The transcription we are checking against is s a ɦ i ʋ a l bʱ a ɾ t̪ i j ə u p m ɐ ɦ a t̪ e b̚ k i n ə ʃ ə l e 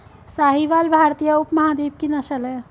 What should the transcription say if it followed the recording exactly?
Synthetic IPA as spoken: s a ɦ i ʋ a l bʱ a ɾ t̪ i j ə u p m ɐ ɦ a d̪ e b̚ k i n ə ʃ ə l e